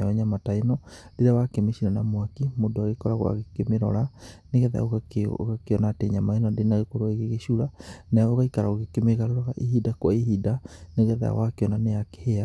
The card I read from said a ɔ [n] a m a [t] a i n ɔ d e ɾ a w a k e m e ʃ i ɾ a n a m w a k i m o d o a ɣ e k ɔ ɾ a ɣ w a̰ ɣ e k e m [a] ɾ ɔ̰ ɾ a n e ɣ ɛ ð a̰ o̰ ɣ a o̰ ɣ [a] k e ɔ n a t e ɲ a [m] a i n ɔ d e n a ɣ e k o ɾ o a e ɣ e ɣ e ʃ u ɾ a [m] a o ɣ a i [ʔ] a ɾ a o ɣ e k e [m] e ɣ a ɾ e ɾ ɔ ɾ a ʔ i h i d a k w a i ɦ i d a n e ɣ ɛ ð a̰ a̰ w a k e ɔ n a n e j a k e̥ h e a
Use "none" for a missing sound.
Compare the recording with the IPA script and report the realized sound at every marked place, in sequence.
ɲ, t, e, a, m, n, k, m

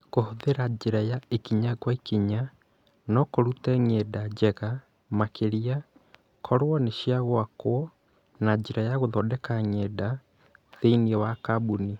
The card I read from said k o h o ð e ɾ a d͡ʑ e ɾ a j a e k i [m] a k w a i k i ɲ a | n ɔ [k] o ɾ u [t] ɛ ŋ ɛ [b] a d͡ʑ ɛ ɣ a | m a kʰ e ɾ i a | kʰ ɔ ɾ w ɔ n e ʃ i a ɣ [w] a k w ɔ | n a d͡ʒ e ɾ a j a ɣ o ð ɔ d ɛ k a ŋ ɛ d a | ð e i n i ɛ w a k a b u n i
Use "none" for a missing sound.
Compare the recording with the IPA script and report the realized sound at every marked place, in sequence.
ɲ, k, t, d, w

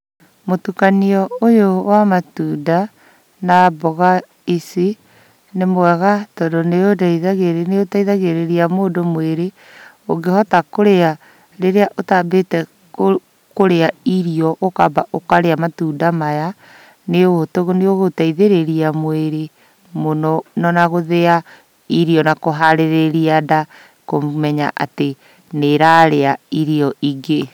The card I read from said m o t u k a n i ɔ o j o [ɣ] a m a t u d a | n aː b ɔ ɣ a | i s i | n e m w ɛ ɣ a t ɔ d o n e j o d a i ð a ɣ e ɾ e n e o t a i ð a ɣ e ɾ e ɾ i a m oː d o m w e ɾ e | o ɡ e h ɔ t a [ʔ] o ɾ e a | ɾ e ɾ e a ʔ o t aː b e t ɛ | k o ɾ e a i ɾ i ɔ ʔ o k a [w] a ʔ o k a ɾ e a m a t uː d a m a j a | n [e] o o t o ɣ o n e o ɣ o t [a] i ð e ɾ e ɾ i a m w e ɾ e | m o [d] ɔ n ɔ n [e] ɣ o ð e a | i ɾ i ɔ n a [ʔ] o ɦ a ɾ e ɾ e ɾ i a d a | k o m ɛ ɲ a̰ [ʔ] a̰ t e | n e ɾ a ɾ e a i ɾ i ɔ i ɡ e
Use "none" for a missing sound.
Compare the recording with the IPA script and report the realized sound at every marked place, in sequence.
w, k, b, e, a, n, a, k, ʔ

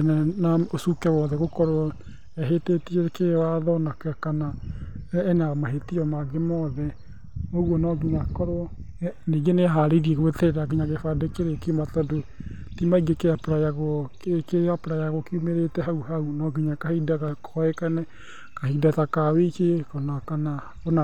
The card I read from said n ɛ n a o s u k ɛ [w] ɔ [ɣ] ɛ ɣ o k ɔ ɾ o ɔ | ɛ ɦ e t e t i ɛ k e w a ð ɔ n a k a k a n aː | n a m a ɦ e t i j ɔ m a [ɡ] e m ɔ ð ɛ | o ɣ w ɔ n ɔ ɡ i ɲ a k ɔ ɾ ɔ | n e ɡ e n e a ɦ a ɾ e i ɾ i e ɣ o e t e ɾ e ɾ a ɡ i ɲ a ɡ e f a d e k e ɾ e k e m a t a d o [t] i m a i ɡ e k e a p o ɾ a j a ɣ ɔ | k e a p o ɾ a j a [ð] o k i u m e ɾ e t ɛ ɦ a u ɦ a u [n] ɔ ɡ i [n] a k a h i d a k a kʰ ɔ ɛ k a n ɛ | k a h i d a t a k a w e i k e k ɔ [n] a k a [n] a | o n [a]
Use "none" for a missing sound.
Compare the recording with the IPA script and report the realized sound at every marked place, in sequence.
w, ð, ɡ, t, ɣ, n, ɲ, n, n, a

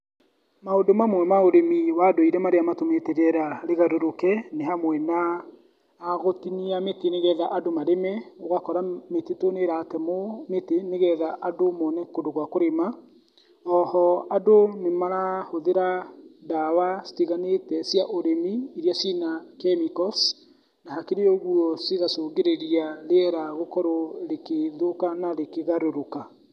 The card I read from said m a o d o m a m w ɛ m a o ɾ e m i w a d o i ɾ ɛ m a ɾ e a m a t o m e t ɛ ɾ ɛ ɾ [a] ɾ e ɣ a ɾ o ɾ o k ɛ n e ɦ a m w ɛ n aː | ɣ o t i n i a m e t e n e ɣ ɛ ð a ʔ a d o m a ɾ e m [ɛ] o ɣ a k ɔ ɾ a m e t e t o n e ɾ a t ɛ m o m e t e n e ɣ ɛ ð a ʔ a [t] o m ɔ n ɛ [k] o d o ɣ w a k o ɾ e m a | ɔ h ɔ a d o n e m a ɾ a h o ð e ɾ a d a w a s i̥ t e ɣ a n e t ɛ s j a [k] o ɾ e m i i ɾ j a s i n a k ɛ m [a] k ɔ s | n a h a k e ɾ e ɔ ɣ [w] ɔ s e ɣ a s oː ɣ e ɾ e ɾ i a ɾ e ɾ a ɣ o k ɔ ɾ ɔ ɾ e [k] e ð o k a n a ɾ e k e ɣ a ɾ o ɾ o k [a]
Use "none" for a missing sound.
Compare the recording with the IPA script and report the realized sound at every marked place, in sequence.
a, ɛ, d, k, ʔ, i, u, k, a

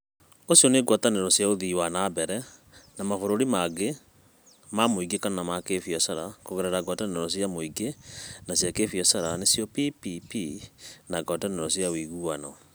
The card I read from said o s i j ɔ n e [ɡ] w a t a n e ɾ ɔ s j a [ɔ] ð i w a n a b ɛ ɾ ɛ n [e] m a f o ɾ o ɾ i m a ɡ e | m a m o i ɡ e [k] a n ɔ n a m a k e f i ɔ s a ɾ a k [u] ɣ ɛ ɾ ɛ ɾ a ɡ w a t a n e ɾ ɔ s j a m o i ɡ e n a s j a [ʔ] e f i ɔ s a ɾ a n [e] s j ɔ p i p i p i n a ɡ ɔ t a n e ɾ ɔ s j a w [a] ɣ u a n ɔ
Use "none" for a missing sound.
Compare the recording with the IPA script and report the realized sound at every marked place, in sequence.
ɡ, o, a, k, o, k, e, i

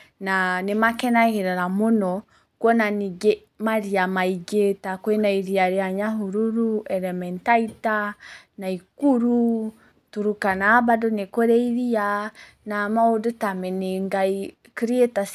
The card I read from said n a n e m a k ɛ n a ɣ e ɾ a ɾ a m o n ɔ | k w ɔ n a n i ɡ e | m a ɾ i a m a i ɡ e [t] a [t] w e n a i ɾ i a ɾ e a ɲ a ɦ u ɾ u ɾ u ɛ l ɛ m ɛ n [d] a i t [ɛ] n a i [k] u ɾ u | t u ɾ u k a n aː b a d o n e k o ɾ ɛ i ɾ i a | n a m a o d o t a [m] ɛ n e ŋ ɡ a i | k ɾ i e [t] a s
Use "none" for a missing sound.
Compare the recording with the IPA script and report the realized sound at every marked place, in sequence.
t, k, t, a, k, m, t

